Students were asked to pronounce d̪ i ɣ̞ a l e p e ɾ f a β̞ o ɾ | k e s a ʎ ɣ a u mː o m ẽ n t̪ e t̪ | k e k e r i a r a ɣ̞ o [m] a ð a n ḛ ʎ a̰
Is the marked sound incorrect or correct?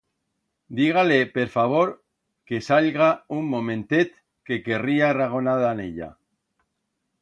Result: incorrect